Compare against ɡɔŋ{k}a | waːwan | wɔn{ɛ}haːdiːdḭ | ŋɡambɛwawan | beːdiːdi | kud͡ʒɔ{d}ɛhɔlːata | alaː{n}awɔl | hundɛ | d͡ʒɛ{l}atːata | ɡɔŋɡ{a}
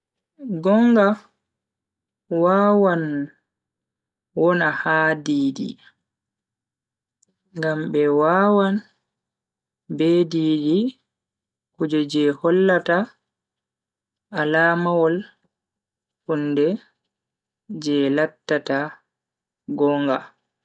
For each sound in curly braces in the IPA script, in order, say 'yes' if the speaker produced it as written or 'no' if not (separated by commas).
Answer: no, no, no, no, yes, yes